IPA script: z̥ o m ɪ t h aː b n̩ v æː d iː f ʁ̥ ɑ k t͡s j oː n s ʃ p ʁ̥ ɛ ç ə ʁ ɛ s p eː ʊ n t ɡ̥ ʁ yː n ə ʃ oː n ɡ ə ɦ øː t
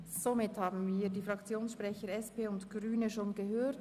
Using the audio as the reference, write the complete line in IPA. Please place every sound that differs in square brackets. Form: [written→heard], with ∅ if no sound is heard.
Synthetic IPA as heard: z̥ o m ɪ t h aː b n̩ v [æː→iː] d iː f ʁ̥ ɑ k t͡s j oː n s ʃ p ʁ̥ ɛ ç ə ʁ ɛ s p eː ʊ n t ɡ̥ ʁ yː n ə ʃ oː n ɡ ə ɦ øː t

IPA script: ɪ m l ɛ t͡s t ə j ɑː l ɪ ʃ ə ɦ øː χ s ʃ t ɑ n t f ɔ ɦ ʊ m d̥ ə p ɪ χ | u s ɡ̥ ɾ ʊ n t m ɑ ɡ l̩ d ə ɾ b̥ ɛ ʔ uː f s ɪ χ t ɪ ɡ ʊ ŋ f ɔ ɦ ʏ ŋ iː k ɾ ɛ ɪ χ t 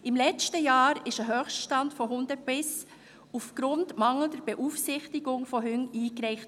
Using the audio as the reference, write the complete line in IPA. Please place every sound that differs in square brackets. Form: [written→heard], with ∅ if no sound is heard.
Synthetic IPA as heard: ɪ m l ɛ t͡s t ə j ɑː [l→ɾ] ɪ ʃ ə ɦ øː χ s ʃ t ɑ n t f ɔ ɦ ʊ [m→n] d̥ ə p ɪ [χ→s] | u [s→f] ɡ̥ ɾ ʊ n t m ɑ [ɡ→ŋ] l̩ d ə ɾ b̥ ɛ ʔ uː f s ɪ χ t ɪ ɡ ʊ ŋ f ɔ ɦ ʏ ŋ iː k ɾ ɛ ɪ χ t

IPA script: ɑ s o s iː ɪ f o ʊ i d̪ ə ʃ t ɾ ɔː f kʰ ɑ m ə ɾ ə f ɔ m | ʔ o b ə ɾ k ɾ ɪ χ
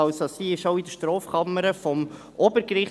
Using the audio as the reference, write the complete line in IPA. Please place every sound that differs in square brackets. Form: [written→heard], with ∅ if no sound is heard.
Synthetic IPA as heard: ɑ s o s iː ɪ [f→ʃ] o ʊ i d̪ ə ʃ t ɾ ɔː f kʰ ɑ m ə ɾ ə f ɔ m | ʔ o b ə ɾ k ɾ ɪ χ

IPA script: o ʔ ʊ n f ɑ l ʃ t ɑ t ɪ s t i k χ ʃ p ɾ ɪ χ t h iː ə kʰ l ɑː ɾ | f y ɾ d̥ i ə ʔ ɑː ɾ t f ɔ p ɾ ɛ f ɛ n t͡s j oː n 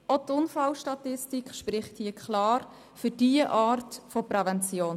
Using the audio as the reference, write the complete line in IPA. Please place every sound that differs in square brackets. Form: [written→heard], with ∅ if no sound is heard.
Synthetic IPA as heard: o [ʔ→t] ʊ n f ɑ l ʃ t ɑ t ɪ s t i k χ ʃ p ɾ ɪ χ t h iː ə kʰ l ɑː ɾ | f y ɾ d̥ i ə ʔ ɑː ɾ t f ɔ p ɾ ɛ [f→v] ɛ n t͡s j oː n

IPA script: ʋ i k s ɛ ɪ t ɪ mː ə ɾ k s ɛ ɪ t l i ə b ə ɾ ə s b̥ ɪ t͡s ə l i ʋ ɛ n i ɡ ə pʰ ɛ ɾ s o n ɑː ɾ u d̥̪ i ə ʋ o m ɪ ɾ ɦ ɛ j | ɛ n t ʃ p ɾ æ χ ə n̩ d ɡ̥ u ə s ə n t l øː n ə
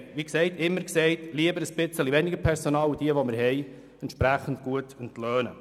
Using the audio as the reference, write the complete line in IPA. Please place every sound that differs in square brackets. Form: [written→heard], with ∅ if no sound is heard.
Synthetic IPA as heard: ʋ i k s ɛ ɪ t ɪ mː ə ɾ k s ɛ ɪ t l i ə b ə ɾ ə s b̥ ɪ t͡s ə l i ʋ ɛ n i ɡ ə pʰ ɛ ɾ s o n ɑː [ɾ→l] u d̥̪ i ə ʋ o m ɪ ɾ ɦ ɛ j | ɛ n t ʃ p ɾ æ χ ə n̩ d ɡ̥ u ə [s→t] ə n t l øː n ə

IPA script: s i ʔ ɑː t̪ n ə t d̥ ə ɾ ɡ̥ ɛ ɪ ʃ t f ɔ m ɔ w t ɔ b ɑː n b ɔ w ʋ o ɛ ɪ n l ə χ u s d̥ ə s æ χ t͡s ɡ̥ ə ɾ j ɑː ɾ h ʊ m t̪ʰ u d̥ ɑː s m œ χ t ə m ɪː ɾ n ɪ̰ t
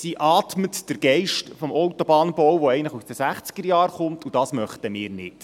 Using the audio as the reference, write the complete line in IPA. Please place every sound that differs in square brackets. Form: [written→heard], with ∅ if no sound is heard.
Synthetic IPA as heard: s i ʔ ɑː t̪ [n→m] ə t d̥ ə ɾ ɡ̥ ɛ ɪ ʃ t f ɔ m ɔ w t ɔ b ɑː n b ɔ w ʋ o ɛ ɪ n l ə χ u s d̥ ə s æ χ t͡s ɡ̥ ə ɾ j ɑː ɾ [h→χ] ʊ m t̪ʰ u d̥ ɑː s m œ χ t ə m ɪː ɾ n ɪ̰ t

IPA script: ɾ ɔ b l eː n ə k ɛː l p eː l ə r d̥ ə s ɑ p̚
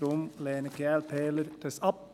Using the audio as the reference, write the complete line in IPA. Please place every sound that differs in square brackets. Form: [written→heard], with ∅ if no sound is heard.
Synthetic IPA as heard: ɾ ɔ [b→m] l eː n ə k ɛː l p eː l ə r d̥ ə s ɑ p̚

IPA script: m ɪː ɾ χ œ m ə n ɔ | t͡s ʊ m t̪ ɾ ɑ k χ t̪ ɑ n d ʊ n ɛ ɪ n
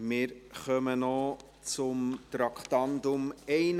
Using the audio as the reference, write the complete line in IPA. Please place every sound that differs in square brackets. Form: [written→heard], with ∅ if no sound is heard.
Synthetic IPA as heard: m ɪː ɾ χ œ m ə n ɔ | t͡s ʊ m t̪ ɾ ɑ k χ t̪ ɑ n d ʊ [n→m] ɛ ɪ n

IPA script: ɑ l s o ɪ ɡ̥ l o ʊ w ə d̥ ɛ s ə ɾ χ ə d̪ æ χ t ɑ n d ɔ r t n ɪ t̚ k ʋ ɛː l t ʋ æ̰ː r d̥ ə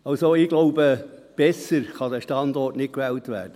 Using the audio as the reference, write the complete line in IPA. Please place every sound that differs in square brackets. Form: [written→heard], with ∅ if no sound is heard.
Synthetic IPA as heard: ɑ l s o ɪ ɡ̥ l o ʊ [w→b] ə [d̥→b̥] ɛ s ə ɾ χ [ə→ɑ] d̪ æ [χ→ʃ] t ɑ n d ɔ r t n ɪ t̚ k ʋ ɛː l t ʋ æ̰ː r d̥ ə

